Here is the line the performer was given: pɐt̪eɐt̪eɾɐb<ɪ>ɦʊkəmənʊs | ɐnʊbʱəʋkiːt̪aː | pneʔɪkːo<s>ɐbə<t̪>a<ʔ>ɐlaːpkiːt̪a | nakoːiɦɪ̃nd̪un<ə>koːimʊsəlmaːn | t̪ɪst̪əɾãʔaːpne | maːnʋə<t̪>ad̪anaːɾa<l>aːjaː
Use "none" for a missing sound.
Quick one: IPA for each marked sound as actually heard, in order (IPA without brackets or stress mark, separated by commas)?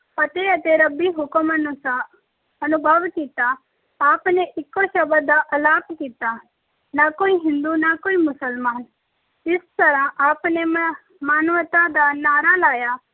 i, ʃ, d̪, ʔ, a, t̪, l